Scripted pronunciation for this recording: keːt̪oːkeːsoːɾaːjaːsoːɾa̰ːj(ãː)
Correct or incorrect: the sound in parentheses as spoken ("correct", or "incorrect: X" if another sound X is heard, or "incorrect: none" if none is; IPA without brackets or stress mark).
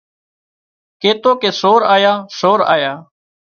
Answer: incorrect: aː